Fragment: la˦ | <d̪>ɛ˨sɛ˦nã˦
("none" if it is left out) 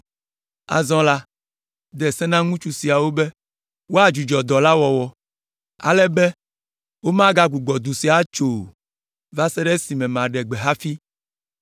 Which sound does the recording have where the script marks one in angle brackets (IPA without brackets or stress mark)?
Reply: d̪